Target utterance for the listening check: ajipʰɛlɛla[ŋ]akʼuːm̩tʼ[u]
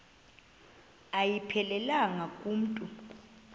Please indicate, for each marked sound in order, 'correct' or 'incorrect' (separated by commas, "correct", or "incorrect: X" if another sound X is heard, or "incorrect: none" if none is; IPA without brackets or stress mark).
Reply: correct, correct